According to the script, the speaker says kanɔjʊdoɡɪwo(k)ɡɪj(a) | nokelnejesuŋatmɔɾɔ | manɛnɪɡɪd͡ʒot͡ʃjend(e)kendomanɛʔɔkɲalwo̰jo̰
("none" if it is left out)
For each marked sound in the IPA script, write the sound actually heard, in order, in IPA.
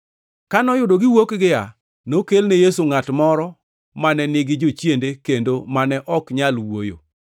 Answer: k, a, e

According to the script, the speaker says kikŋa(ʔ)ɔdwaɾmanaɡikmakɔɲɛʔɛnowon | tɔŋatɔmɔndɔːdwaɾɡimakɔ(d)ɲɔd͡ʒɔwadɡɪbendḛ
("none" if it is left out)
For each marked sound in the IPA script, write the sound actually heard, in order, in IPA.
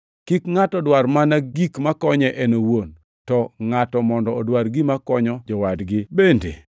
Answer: t, none

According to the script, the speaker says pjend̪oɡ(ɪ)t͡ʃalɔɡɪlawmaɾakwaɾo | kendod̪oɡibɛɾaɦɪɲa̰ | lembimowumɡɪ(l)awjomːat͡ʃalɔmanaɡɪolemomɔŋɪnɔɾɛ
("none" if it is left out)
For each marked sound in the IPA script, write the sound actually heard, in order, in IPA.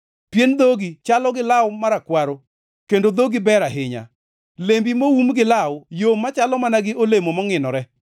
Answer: i, l

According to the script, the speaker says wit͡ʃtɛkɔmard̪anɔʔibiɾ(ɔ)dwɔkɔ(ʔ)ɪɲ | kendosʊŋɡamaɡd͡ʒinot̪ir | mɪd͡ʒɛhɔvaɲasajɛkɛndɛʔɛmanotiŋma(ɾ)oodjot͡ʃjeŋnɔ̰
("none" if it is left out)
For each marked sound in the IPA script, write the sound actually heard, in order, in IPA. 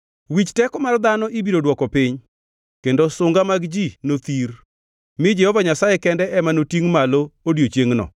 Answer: o, p, l

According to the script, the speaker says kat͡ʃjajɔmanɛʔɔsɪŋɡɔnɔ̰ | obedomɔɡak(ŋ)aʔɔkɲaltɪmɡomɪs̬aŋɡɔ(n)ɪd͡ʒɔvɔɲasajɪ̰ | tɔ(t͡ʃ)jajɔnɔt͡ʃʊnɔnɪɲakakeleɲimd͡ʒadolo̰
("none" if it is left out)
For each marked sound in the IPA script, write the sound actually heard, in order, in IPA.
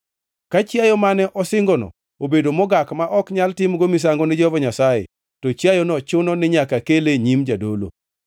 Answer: m, n, t͡ʃ

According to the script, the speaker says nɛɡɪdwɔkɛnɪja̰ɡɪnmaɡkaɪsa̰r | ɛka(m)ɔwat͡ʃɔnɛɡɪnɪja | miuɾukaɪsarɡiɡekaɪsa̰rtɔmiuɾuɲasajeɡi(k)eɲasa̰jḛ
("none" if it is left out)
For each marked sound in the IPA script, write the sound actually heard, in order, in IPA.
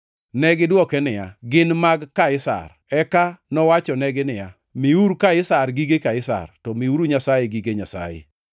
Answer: n, ɡ

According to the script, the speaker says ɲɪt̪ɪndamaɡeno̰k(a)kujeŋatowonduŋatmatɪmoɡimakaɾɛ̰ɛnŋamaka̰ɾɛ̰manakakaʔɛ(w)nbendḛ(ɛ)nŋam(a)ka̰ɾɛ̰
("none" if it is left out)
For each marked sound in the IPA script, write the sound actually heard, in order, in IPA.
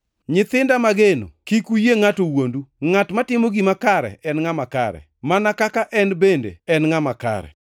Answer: i, none, ɛ, a

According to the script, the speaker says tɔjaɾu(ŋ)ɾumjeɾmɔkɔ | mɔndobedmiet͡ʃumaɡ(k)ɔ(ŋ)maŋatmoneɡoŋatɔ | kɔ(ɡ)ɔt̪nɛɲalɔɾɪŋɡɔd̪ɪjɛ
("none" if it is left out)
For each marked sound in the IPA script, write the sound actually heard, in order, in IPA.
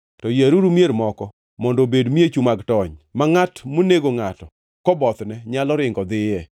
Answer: none, t, ɲ, b

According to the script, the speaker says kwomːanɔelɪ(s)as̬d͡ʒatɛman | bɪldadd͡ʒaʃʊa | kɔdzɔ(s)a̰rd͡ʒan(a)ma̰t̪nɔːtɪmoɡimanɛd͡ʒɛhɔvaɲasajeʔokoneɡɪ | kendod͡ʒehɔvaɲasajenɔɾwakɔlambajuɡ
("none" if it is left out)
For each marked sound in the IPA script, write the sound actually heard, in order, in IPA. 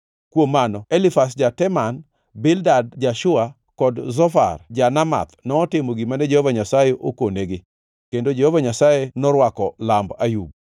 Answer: f, f, a

